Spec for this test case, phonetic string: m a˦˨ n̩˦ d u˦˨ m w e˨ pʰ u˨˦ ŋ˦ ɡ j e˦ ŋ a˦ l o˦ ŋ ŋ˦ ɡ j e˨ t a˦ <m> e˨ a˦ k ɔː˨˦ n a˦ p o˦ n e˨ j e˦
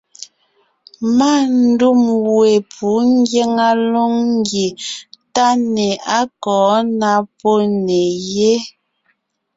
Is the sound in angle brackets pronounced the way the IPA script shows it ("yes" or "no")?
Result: no